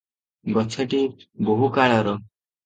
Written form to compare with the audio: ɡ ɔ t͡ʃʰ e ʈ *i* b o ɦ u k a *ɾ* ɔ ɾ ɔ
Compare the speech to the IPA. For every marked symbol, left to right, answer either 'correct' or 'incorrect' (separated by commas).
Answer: correct, incorrect